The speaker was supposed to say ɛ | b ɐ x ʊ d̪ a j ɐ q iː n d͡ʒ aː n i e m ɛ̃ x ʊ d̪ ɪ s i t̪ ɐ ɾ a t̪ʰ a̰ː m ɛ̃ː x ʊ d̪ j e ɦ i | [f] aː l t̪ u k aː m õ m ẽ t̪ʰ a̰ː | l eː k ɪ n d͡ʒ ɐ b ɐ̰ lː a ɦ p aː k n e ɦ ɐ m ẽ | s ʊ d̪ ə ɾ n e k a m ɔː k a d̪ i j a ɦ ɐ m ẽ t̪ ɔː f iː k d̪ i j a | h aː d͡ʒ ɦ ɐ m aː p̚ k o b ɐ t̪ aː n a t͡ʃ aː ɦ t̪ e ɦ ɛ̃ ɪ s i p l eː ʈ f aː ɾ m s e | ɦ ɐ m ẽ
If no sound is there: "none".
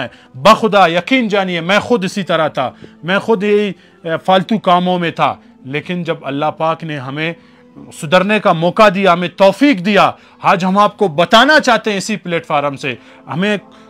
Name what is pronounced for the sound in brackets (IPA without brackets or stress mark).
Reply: f